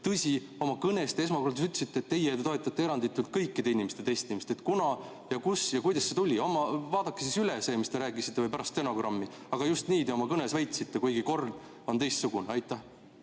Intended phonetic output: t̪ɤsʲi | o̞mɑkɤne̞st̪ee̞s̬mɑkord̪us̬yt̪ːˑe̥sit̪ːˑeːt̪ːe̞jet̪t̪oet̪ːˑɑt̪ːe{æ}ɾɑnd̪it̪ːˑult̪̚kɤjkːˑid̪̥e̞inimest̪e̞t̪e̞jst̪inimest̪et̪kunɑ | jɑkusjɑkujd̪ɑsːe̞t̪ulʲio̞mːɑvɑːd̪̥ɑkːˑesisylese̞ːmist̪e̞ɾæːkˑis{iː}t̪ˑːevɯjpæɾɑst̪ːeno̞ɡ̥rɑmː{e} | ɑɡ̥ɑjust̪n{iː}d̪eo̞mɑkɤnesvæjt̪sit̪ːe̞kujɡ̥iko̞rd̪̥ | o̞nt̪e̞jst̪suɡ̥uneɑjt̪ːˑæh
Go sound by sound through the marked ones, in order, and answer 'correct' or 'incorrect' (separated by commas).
incorrect, incorrect, incorrect, correct